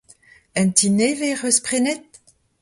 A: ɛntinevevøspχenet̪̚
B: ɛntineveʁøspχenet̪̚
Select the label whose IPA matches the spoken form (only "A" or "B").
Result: B